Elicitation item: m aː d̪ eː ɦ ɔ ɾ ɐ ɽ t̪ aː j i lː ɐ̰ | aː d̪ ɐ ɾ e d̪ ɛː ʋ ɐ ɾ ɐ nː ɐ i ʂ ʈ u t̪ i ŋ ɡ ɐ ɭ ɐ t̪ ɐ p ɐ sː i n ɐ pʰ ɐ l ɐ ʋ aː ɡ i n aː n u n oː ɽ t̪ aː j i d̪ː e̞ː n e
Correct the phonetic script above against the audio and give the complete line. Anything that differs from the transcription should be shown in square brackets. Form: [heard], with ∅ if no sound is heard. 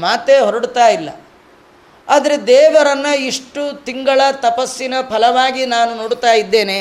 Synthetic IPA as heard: m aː [t̪] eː ɦ ɔ ɾ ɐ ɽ t̪ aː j i lː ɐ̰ | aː d̪ ɐ ɾ e d̪ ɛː ʋ ɐ ɾ ɐ nː ɐ i ʂ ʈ u t̪ i ŋ ɡ ɐ ɭ ɐ t̪ ɐ p ɐ sː i n ɐ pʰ ɐ l ɐ ʋ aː ɡ i n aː n u n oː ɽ t̪ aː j i d̪ː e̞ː n e